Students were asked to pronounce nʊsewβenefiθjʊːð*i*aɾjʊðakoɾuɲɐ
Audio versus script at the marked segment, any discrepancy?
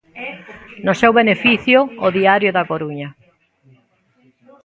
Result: no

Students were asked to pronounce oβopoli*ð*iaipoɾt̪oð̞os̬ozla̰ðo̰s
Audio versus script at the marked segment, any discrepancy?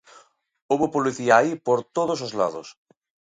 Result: yes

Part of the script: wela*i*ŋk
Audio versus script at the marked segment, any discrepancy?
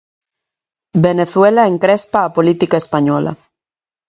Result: yes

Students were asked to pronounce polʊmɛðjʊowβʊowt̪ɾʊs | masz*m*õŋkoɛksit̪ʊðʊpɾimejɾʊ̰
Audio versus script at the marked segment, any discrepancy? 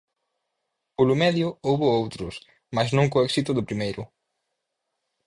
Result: yes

